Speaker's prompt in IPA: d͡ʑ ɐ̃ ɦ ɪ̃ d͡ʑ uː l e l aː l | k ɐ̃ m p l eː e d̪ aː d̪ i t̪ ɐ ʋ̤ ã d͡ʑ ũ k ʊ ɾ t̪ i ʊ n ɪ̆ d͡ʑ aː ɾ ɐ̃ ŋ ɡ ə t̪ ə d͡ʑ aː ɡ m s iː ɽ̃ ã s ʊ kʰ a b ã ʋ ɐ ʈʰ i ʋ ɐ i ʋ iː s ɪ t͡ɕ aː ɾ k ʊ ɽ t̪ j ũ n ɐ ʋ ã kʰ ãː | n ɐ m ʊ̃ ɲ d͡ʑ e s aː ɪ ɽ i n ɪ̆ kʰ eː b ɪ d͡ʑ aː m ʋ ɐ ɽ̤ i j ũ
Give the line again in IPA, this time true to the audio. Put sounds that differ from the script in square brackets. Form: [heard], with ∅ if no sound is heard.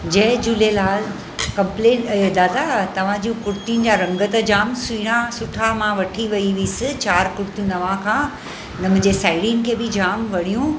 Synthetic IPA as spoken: d͡ʑ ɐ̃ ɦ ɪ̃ d͡ʑ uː l e l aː l | k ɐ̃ m p l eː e d̪ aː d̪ [a] t̪ ɐ ʋ̤ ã d͡ʑ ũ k ʊ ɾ t̪ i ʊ n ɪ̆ d͡ʑ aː ɾ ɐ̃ ŋ ɡ ə t̪ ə d͡ʑ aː [∅] m s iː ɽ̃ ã s ʊ [ʈʰ] a [m] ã ʋ ɐ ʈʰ i ʋ ɐ i ʋ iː s ɪ t͡ɕ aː ɾ k ʊ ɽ t̪ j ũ n ɐ ʋ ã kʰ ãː | n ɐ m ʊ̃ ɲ d͡ʑ e s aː ɪ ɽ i n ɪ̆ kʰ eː b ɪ d͡ʑ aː m ʋ ɐ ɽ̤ i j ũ